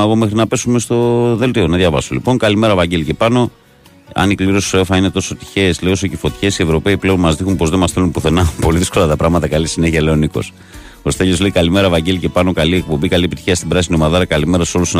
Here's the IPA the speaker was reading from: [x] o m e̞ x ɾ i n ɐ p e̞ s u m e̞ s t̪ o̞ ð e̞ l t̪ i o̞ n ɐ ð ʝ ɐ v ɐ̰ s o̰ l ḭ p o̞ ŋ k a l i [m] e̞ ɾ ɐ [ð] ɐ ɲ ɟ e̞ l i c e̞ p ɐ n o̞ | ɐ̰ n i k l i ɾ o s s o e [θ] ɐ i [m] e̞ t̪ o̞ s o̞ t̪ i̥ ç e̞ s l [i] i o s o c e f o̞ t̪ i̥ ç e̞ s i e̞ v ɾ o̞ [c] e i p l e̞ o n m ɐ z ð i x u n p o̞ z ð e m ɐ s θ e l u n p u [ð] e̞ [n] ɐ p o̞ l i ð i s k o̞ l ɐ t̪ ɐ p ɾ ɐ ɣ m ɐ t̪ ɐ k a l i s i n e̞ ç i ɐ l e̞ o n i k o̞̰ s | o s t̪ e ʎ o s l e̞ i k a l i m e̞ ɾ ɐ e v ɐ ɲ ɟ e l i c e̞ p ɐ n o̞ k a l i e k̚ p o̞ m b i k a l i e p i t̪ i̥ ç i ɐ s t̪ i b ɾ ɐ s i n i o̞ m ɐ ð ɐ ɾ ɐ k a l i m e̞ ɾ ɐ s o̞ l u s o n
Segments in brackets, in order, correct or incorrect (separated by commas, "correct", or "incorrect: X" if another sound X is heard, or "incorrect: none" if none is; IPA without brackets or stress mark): incorrect: ɣ, correct, incorrect: v, incorrect: f, incorrect: n, incorrect: e, incorrect: p, incorrect: θ, correct